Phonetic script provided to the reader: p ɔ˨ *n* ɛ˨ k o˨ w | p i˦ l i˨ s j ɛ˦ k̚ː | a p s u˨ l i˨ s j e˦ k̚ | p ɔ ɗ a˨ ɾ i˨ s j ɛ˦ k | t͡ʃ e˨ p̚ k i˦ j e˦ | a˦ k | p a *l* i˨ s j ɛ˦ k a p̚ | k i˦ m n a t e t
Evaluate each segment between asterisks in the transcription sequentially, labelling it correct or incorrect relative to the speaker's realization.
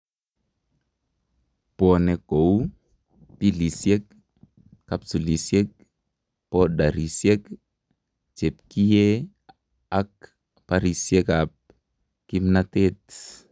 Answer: correct, incorrect: ɾ

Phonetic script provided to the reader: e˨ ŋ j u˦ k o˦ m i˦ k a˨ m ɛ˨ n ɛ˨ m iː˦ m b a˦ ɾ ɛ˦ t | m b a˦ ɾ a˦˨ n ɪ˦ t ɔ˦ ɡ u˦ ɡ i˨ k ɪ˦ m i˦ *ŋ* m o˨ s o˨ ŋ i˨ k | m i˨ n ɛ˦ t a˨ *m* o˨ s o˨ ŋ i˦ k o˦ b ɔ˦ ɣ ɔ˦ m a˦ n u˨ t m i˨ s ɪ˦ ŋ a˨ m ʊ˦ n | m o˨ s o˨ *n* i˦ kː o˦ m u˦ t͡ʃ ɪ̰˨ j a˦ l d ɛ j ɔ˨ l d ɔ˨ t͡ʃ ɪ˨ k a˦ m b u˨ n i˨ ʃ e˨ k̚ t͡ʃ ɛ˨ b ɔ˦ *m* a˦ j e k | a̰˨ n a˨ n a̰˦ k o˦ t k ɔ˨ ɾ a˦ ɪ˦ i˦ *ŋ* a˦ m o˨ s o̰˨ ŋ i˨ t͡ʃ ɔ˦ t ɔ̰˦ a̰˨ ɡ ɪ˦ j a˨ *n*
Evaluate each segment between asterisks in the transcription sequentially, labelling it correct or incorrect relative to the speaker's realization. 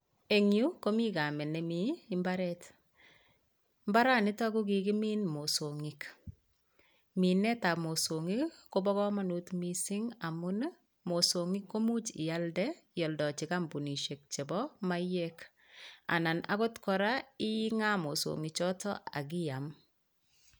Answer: incorrect: n, correct, incorrect: ŋ, correct, correct, incorrect: m

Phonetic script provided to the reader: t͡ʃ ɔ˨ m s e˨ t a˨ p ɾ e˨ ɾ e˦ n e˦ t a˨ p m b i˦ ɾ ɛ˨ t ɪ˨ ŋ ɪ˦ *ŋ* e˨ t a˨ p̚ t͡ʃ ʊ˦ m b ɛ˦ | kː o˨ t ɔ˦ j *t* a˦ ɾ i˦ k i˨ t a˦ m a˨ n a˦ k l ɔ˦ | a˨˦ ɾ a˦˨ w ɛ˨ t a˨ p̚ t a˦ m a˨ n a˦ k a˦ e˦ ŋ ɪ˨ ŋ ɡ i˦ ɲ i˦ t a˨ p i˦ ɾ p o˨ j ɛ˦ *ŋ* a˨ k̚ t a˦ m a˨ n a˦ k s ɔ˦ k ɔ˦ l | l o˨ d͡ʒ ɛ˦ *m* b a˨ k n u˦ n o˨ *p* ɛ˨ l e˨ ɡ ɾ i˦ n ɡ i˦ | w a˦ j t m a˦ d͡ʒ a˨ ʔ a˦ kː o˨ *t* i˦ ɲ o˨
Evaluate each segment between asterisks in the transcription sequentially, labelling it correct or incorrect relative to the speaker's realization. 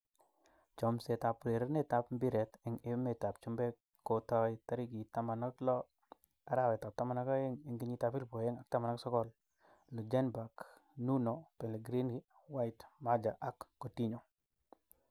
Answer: incorrect: m, correct, correct, incorrect: n, correct, correct

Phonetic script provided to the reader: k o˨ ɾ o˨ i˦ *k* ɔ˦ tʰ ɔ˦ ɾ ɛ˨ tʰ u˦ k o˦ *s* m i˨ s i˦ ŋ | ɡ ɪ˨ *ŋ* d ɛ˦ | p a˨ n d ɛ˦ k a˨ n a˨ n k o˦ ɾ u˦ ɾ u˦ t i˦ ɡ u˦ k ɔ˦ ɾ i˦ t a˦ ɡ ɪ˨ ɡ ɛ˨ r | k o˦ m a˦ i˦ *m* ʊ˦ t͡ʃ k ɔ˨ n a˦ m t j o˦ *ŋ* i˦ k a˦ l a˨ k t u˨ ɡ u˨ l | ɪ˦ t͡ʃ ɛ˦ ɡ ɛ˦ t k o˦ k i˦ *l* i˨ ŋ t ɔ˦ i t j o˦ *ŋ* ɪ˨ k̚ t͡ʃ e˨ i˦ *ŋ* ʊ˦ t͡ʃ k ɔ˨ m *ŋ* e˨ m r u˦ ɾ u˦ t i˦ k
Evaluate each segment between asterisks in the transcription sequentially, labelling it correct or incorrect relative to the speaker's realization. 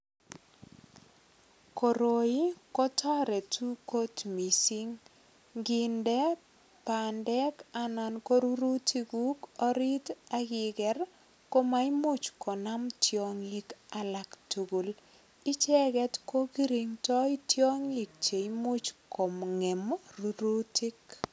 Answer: correct, incorrect: t, incorrect: n, correct, correct, incorrect: ɾ, correct, incorrect: m, correct

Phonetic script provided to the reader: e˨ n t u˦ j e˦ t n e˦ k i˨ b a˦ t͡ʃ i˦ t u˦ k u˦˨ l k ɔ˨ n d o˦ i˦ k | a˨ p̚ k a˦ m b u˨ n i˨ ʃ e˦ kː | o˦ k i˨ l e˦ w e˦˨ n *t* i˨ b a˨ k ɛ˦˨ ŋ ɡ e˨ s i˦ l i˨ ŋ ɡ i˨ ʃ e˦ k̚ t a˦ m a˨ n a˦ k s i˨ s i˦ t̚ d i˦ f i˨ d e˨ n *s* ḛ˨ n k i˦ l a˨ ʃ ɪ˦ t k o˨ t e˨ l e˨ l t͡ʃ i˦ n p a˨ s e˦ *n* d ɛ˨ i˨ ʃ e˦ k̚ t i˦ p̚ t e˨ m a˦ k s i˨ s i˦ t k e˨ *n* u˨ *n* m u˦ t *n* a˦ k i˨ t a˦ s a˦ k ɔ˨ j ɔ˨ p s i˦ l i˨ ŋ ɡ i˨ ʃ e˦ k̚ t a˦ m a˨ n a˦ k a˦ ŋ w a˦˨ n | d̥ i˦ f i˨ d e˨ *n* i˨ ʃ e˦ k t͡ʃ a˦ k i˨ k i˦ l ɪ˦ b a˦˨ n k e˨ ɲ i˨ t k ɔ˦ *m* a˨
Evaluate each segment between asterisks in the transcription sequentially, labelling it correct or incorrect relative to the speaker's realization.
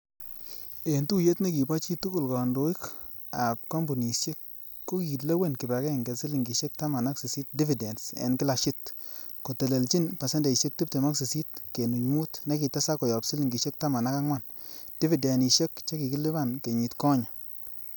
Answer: incorrect: k, correct, correct, correct, incorrect: ɲ, correct, correct, incorrect: ɲ

